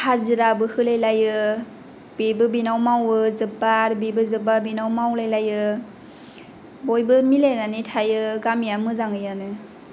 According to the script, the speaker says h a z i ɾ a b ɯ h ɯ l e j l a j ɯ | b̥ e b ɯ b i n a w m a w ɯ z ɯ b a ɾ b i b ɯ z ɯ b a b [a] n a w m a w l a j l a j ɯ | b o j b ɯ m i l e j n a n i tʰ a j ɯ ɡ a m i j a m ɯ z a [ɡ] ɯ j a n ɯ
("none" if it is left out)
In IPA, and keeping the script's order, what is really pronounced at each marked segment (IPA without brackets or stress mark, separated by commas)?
i, ŋ